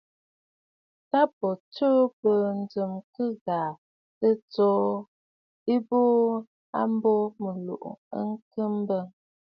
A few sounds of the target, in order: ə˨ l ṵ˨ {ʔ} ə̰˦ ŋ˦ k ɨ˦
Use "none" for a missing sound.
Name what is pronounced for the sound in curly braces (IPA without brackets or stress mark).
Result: ʔ